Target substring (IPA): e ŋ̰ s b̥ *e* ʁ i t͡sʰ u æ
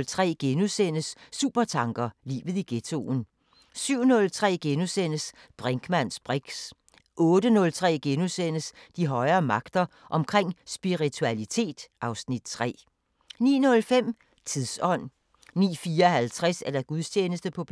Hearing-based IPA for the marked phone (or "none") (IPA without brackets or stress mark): i